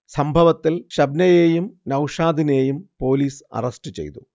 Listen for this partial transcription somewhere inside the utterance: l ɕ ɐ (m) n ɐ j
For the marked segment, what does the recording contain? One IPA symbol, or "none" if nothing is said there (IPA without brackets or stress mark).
b